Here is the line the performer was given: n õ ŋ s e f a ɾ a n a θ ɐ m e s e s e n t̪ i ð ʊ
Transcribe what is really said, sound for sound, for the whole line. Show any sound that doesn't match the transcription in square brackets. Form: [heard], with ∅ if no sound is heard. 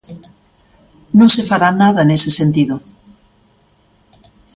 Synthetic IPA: n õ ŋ s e f a ɾ a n a [ð] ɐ [n] e s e s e n t̪ i ð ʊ